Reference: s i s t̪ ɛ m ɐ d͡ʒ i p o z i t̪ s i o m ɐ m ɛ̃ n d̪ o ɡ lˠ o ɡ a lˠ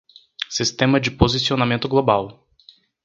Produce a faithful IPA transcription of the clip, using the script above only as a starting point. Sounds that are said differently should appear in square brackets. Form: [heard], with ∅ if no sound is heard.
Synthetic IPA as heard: s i s t̪ ɛ m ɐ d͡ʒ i p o z i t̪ s i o [n] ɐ m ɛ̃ n [t̪] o ɡ lˠ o [b] a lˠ